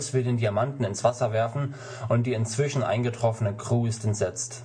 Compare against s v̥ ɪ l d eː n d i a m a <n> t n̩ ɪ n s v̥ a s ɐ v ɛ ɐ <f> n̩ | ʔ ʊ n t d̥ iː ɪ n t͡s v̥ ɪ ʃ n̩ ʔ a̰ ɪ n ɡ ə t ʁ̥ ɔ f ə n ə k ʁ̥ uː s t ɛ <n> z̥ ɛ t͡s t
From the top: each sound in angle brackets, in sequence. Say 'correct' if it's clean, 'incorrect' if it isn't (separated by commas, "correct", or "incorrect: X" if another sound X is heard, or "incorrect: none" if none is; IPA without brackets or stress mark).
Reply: correct, correct, correct